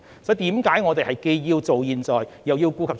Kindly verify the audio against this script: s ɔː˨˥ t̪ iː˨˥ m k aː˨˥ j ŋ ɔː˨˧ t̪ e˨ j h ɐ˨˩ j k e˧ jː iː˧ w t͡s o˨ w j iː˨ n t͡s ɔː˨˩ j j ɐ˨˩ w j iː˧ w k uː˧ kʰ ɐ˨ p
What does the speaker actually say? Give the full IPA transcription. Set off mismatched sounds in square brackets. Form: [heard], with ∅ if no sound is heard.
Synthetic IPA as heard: s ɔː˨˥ t̪ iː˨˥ m k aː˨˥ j ŋ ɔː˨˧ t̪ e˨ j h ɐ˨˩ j k e˧ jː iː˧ w t͡s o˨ w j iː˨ n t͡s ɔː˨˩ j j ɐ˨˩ w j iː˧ w k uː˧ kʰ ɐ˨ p